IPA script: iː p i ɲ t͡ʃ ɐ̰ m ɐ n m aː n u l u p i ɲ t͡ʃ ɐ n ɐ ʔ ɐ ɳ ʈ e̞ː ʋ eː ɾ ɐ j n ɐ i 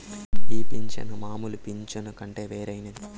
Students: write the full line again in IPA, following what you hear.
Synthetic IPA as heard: iː p i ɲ t͡ʃ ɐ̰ n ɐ m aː m u l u p i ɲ t͡ʃ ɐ n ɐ k ɐ ɳ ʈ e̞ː ʋ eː ɾ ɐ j n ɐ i